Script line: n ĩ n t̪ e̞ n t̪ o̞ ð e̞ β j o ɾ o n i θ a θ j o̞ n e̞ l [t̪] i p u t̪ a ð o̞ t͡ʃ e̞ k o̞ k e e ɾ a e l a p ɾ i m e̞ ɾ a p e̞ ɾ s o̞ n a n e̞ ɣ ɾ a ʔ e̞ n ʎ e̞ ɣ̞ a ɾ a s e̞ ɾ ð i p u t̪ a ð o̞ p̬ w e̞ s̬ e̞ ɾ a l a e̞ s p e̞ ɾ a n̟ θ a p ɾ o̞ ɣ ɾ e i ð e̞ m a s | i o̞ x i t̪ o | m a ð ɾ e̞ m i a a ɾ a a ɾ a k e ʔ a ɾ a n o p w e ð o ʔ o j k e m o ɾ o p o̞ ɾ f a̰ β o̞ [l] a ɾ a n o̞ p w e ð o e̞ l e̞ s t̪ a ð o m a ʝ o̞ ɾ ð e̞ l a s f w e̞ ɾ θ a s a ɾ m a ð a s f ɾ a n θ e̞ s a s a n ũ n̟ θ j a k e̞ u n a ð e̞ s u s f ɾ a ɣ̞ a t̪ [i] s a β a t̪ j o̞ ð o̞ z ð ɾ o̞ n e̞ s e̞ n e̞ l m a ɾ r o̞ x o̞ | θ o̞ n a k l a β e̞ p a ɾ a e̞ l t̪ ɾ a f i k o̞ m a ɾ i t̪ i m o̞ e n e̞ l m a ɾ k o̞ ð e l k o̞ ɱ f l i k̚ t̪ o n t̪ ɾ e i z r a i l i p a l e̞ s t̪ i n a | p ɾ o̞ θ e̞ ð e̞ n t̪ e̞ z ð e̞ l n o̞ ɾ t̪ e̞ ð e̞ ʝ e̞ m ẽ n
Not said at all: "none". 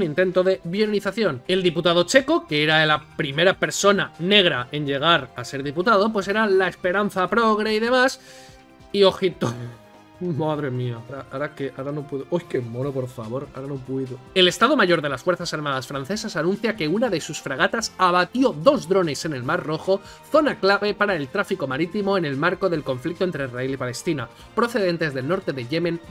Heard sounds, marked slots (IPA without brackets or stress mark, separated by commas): d̪, ɾ, a